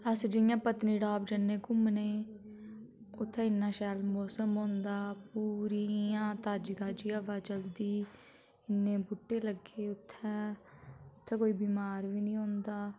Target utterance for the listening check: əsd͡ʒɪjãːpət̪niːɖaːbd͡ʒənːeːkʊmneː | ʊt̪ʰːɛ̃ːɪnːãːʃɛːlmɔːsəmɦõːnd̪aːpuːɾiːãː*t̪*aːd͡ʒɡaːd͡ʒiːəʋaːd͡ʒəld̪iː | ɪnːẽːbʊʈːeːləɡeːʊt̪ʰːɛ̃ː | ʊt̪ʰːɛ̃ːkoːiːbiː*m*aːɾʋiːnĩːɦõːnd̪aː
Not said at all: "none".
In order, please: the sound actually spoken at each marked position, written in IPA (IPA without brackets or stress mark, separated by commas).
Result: t̪, m